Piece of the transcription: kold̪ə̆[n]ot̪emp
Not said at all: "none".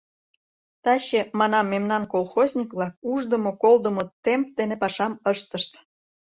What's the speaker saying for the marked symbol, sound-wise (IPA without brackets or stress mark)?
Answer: m